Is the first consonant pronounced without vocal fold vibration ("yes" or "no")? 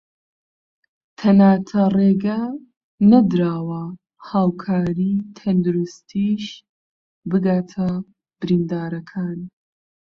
yes